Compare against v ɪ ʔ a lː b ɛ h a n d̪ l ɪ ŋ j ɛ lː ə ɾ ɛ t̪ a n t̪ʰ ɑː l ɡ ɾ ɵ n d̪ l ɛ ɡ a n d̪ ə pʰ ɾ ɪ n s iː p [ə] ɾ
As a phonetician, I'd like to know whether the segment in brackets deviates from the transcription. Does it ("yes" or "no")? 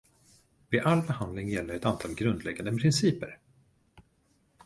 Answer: no